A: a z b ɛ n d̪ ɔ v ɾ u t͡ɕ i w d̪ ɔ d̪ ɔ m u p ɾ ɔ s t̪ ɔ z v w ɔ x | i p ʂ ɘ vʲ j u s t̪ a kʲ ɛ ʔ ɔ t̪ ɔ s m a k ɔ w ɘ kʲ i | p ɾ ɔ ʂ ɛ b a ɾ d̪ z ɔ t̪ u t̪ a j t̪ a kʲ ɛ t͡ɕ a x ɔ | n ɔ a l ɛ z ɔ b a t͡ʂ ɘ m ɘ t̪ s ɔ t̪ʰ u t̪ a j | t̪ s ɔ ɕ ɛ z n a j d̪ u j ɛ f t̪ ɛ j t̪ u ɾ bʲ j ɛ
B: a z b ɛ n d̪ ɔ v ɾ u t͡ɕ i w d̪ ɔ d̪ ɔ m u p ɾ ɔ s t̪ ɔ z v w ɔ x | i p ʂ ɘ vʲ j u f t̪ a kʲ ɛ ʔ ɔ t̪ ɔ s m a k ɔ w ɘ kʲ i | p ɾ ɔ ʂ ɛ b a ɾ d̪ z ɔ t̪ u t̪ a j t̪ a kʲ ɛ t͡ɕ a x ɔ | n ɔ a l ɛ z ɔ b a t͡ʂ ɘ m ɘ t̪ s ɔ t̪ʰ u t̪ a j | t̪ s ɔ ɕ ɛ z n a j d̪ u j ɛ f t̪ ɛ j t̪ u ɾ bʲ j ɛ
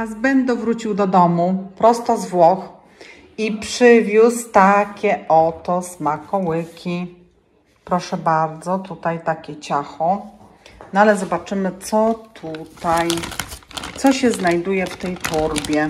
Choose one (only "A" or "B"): A